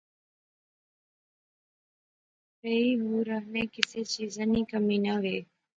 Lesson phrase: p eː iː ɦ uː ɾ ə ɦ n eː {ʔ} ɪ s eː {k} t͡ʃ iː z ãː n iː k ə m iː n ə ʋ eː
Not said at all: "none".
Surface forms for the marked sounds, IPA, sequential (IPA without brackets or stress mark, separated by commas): k, none